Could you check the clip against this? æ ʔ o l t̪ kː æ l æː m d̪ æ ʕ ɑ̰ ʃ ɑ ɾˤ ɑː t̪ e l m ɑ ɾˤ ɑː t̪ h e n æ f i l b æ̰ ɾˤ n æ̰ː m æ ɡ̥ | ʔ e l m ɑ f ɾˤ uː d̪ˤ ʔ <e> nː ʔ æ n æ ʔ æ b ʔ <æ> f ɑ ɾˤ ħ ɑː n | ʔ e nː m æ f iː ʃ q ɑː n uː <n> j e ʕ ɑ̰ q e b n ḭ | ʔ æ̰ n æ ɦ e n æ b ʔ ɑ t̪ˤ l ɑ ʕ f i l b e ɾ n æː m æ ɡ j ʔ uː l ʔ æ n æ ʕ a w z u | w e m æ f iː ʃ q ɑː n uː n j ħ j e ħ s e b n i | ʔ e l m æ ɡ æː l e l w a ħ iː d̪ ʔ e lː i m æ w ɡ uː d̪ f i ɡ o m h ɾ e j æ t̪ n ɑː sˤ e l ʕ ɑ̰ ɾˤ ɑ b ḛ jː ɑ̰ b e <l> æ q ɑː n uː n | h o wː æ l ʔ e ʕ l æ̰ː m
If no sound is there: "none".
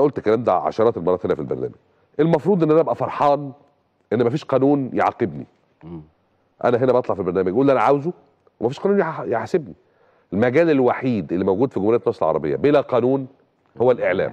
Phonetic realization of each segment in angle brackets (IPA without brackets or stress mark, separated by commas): e, æ, n, l